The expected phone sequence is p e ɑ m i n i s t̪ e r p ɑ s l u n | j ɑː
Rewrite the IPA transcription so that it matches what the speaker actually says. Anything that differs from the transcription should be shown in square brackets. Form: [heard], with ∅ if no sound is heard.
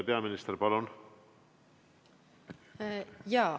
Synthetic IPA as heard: p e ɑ m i n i s t̪ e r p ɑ [∅] l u n | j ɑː